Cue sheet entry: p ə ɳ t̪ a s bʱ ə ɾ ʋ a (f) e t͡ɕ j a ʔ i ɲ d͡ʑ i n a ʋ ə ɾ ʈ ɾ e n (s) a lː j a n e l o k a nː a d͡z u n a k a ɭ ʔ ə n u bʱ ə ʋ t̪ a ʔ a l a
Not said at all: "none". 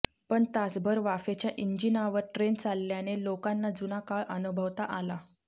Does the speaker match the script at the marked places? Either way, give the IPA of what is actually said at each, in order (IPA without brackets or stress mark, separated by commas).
f, t͡s